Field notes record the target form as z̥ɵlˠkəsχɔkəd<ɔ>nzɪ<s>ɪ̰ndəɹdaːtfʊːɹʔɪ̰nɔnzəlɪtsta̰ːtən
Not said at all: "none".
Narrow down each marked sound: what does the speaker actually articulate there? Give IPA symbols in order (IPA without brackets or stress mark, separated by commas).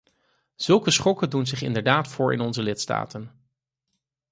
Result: u, χ